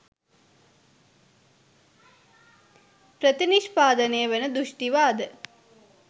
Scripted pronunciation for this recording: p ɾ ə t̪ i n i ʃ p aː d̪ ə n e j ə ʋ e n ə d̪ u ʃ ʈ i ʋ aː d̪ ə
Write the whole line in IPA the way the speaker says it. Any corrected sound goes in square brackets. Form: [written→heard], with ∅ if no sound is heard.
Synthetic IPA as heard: p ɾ ə t̪ i n i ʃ p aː d̪ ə n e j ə ʋ e n ə d̪ u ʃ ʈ i ʋ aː d̪ ə